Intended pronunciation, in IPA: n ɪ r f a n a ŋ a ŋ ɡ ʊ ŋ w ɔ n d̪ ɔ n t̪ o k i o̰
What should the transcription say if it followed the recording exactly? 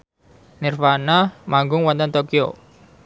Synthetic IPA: n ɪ r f a n a m a ŋ ɡ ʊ ŋ w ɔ n t̪ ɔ n t̪ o k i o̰